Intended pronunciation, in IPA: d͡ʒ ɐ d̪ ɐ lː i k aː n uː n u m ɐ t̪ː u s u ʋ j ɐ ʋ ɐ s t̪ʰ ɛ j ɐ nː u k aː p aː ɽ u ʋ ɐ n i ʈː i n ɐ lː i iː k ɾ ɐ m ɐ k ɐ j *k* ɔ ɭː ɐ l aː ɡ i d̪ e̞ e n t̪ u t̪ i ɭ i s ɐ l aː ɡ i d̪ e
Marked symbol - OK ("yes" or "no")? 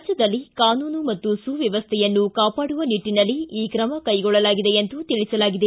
no